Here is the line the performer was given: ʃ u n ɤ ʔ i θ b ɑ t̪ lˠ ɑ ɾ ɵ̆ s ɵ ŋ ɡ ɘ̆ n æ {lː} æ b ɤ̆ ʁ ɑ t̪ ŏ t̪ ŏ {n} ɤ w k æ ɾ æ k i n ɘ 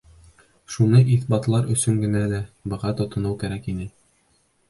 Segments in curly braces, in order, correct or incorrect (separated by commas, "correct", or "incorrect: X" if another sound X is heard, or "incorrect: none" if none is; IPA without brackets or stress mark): incorrect: l, correct